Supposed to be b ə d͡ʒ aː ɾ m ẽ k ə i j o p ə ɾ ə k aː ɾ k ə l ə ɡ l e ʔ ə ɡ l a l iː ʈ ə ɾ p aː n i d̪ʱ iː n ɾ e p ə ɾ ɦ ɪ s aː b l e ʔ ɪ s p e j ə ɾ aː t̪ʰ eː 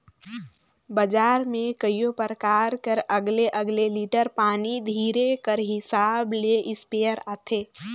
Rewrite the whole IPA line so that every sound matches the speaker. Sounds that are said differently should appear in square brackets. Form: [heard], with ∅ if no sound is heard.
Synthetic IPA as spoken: b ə d͡ʒ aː ɾ m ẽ k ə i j o p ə ɾ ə k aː ɾ k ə [ɾ] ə ɡ l e ʔ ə ɡ l [e] l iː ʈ ə ɾ p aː n i d̪ʱ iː [∅] ɾ e [k] ə ɾ ɦ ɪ s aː b l e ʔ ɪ s p e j ə ɾ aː t̪ʰ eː